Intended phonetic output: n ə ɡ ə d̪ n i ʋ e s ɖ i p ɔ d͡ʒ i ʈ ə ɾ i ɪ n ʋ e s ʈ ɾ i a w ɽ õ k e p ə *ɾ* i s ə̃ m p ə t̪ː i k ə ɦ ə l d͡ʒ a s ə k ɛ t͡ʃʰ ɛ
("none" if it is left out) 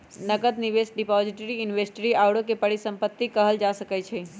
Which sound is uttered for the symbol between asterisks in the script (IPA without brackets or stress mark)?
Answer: ɽ